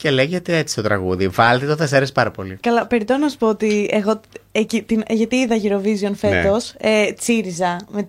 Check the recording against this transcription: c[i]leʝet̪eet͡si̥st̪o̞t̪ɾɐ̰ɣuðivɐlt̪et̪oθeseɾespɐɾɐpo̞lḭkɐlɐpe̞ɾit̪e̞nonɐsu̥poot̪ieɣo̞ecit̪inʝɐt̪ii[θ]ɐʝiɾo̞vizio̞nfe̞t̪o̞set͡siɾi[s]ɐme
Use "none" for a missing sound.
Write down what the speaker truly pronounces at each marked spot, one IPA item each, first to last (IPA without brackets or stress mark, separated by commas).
e, ð, z